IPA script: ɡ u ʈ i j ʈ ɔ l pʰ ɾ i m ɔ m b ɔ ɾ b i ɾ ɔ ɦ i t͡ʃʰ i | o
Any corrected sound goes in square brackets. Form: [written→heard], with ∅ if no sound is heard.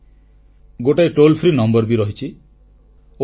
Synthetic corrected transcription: ɡ [u→o] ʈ [i→a] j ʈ [ɔ→o] l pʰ ɾ i [m→n] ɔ m b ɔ ɾ b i ɾ ɔ ɦ i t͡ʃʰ i | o